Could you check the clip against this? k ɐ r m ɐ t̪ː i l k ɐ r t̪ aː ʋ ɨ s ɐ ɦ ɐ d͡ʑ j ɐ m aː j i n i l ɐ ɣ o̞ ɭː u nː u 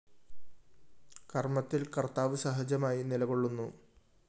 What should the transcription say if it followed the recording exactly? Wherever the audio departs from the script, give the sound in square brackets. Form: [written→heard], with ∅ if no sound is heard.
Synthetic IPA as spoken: k ɐ r m ɐ t̪ː i l k ɐ r t̪ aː ʋ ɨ s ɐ ɦ ɐ d͡ʑ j ɐ m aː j i n i l ɐ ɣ o̞ ɭː u nː u